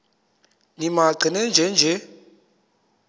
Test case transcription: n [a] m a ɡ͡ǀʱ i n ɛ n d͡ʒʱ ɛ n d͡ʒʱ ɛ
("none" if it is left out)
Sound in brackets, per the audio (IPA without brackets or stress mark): i